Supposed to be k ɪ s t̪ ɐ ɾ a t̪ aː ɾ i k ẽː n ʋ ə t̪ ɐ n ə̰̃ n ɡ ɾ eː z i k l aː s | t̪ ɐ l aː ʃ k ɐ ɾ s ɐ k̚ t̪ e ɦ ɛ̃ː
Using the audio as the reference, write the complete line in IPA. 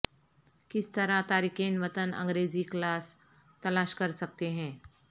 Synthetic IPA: k ɪ s t̪ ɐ ɾ a t̪ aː ɾ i k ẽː n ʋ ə t̪ ə n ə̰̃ ŋ ɡ ɾ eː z i k l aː s | t̪ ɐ l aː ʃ k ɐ ɾ s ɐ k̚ t̪ e ɦ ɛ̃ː